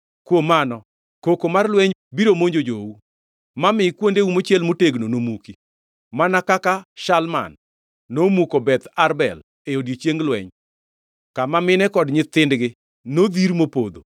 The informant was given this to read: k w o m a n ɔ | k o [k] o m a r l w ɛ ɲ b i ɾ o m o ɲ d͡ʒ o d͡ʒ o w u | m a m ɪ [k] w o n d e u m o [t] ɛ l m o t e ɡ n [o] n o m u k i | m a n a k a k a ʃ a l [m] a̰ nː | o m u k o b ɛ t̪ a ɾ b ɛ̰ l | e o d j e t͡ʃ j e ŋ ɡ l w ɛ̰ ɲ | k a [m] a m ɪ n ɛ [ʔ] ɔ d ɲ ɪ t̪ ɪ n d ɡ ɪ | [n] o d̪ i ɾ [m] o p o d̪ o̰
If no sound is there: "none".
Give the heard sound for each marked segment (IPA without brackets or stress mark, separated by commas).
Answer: k, k, t͡ʃ, o, m, m, k, n, m